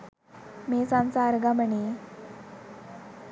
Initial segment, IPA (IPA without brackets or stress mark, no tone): m